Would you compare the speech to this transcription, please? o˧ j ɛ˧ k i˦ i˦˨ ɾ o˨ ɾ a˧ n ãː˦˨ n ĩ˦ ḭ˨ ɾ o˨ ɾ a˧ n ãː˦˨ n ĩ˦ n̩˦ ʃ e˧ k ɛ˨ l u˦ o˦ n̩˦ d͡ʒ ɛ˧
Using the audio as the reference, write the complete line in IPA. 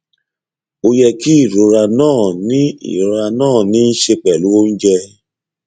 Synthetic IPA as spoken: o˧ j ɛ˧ k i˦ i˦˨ ɾ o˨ ɾ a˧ n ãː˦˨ n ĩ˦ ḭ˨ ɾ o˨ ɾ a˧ n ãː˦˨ n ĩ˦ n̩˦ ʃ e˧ k͡p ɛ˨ l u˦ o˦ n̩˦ d͡ʒ ɛ˧